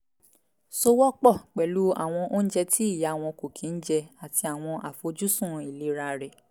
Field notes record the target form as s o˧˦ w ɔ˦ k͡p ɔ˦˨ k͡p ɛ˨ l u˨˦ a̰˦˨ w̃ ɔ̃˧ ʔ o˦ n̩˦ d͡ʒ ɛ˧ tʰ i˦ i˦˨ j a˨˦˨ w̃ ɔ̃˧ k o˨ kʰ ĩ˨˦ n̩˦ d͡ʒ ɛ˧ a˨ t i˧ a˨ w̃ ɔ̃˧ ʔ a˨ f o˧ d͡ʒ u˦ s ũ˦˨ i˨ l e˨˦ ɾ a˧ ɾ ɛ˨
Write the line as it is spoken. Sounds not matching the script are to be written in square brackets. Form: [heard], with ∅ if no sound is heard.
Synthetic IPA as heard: s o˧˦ w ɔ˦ k͡p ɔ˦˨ k͡p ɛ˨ l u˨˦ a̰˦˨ w̃ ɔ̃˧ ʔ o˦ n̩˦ d͡ʒ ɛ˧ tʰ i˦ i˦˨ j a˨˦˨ w̃ ɔ̃˧ k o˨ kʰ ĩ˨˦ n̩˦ d͡ʒ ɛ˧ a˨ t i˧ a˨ w̃ ɔ̃˧ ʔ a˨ f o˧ d͡ʒ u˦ s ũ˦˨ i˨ l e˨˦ ɾ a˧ ɾ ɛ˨